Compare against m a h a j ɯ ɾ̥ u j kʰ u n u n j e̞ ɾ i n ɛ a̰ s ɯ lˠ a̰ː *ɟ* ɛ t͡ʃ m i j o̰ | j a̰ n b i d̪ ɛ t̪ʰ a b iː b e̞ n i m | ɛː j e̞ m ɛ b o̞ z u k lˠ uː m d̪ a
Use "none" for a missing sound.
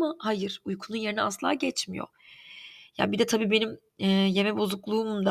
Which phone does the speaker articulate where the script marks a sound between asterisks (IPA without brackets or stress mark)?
ɟ